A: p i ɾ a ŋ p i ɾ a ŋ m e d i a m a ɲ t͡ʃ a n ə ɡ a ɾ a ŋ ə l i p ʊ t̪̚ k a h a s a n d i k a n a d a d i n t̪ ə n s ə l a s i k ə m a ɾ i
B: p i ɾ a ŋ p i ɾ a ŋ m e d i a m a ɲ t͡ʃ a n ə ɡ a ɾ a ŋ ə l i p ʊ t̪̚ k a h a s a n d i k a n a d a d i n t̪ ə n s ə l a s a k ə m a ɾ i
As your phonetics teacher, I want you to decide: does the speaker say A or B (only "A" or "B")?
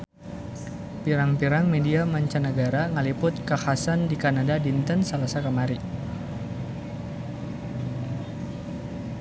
B